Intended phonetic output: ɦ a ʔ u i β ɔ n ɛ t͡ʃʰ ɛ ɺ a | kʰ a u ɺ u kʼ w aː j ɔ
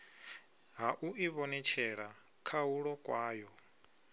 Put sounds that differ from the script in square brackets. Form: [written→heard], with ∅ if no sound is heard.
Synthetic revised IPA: ɦ a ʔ u i β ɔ n ɛ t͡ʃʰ ɛ ɺ a | kʰ a u ɺ [u→ɔ] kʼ w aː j ɔ